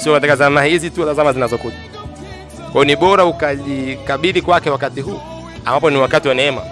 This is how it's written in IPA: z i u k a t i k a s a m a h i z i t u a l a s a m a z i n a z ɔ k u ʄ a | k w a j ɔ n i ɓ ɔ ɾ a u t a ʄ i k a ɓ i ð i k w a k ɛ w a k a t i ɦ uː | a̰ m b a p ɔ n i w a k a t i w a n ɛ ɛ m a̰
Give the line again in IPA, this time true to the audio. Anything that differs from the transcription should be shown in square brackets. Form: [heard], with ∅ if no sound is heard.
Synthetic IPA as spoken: [s] i [ɔ] k a t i k a [z] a m a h i z i t u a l a [z] a m a z i n a z ɔ k u ʄ a | k w a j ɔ n i ɓ ɔ ɾ a u [k] a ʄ i k a ɓ i ð i k w a k ɛ w a k a t i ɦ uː | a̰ m b a p ɔ n i w a k a t i w a n ɛ ɛ m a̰